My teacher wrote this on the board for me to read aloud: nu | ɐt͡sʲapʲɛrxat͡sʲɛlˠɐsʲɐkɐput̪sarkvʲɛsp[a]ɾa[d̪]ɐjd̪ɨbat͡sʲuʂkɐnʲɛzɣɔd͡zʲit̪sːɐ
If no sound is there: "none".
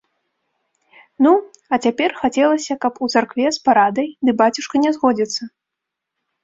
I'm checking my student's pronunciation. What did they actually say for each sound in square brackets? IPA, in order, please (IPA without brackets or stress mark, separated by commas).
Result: a, d̪